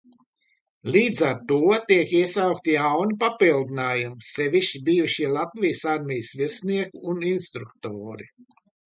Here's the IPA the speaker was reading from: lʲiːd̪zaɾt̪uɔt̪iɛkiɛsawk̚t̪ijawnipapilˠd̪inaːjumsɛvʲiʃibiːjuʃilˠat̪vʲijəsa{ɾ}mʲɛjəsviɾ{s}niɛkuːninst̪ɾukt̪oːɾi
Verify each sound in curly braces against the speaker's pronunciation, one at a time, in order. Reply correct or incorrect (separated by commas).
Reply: correct, correct